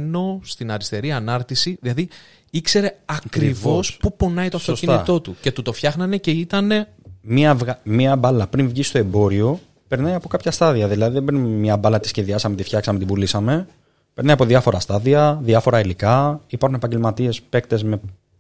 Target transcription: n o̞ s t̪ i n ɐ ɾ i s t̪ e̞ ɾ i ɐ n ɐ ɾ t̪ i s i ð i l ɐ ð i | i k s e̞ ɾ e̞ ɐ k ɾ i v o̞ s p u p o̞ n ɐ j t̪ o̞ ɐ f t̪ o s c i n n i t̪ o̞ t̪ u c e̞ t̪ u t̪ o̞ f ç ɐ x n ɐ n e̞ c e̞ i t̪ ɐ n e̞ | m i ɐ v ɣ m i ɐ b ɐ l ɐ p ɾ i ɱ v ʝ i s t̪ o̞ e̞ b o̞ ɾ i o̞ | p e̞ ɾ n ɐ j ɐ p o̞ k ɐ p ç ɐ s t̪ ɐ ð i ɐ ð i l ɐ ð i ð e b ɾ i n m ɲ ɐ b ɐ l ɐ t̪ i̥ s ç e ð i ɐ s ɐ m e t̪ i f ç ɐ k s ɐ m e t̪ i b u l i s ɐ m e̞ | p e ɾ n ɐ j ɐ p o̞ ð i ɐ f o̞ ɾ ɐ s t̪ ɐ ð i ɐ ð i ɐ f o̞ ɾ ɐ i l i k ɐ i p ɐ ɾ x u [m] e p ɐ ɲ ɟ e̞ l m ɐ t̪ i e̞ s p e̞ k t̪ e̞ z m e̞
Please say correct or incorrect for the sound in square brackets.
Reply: incorrect